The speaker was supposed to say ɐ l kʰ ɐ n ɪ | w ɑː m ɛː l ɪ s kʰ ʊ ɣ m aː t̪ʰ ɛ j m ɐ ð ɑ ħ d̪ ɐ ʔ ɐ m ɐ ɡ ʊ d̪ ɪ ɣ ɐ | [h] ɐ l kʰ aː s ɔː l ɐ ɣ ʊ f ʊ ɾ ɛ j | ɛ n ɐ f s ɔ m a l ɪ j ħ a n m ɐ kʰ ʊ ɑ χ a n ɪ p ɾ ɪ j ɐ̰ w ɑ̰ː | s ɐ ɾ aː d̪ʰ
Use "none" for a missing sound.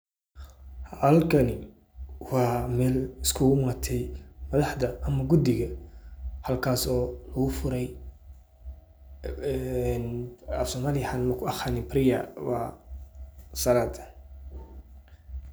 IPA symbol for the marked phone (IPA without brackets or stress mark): h